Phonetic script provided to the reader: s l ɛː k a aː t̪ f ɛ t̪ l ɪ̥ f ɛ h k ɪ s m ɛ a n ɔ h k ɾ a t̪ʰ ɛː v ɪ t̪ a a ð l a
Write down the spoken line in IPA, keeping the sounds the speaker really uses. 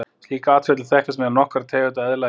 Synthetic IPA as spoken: s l iː k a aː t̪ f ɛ t̪ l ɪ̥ θ ɛ h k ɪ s m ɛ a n ɔ h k ɾ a t̪ʰ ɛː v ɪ t̪ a ɛ ð l a